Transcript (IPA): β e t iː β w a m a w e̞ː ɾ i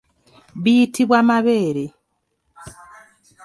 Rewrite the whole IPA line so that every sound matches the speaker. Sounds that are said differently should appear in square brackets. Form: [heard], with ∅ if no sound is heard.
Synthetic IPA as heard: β [i] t [i] β w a m a [β] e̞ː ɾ [e]